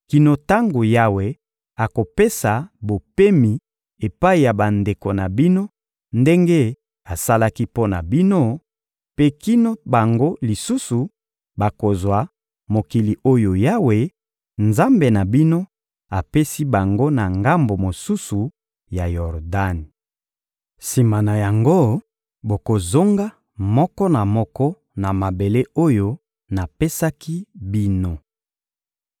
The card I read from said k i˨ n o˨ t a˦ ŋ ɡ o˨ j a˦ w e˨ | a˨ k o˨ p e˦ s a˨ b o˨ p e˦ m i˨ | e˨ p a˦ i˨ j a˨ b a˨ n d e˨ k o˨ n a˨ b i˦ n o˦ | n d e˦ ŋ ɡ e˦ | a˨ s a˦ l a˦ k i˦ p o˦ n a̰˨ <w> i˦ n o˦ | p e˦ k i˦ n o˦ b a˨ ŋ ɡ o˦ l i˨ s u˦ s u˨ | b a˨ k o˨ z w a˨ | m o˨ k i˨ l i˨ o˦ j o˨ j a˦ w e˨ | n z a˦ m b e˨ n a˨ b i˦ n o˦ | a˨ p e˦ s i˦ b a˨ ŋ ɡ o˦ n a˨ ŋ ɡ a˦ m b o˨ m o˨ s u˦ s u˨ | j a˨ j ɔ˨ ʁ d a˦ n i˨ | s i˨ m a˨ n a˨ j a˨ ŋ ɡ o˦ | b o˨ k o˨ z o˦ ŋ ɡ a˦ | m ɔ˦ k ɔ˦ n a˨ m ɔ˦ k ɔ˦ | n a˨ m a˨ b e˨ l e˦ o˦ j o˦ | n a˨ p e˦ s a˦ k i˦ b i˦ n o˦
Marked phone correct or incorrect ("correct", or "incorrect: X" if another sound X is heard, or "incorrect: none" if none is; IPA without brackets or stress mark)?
incorrect: b